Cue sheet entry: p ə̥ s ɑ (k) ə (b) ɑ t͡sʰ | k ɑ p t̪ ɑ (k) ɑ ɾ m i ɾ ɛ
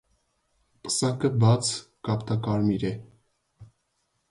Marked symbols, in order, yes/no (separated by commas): yes, yes, yes